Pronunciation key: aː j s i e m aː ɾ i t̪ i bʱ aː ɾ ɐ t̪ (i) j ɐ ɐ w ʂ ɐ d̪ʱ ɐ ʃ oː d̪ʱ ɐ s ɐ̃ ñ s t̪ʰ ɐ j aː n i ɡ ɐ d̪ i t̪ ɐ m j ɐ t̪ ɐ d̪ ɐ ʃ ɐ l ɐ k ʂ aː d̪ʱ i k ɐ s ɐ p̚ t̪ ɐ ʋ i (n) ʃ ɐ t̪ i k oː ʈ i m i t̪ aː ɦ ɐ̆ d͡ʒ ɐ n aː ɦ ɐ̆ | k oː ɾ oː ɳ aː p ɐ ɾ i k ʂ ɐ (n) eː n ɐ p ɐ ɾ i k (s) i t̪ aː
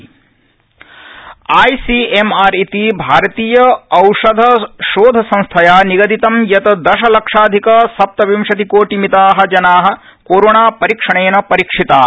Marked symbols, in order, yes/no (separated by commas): no, no, no, no